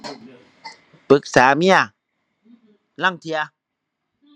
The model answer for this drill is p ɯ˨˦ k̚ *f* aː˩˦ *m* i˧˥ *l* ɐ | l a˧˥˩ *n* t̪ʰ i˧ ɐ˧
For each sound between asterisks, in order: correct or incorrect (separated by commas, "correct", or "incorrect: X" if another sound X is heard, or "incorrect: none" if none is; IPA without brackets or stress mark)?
incorrect: s, correct, incorrect: none, incorrect: ŋ